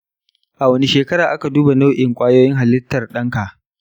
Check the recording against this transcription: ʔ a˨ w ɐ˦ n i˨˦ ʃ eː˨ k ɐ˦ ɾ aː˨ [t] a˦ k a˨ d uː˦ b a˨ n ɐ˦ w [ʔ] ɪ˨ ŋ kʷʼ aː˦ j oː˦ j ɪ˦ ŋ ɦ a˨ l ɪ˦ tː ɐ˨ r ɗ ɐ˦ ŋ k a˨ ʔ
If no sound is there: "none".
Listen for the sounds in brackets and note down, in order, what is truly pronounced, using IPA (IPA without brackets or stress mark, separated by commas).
ʔ, ʔ